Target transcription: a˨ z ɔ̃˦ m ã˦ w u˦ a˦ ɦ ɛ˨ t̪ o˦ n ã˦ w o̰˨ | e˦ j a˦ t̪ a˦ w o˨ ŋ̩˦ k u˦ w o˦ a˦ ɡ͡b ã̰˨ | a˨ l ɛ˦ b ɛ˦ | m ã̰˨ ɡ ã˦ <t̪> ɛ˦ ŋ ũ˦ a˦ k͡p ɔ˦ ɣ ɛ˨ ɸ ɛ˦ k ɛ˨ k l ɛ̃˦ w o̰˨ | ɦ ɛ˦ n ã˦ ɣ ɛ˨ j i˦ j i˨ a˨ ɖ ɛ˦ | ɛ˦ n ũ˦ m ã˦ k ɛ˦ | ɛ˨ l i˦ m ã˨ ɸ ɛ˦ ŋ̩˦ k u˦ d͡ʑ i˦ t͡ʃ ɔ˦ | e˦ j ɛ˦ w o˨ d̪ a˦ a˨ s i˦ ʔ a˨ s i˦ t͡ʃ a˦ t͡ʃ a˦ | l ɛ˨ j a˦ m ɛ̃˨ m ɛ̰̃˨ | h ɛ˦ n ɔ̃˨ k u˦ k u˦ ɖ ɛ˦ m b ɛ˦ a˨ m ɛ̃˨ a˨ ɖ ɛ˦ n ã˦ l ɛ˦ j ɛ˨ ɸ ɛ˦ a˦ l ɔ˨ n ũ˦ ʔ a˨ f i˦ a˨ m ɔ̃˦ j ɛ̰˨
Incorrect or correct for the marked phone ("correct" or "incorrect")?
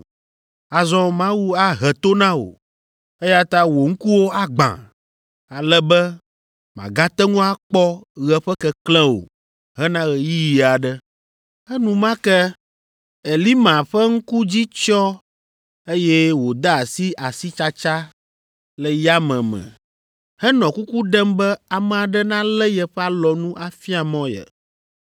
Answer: correct